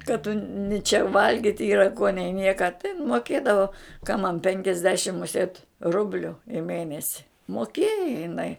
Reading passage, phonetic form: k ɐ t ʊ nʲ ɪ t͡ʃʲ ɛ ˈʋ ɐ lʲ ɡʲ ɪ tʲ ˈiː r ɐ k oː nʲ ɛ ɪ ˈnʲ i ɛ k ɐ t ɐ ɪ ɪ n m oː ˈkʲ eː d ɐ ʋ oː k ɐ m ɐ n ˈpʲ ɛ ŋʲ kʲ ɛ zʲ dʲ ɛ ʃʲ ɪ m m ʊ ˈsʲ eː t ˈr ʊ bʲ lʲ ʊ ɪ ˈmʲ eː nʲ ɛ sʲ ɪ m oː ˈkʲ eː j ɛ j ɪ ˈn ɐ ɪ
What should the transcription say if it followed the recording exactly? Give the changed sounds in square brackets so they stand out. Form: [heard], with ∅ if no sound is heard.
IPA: k ɐ t ʊ nʲ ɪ t͡ʃʲ ɛ ˈʋ ɐ lʲ ɡʲ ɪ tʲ ˈiː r ɐ k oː nʲ ɛ ɪ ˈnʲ i ɛ k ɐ t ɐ ɪ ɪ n m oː ˈkʲ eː d ɐ ʋ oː k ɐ m ɐ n ˈpʲ ɛ ŋʲ kʲ ɛ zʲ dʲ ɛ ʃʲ ɪ m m ʊ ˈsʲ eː t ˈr ʊ bʲ lʲ ʊ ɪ ˈmʲ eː nʲ ɛ sʲ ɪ m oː ˈkʲ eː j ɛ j ɪ ˈn ɐ ɪ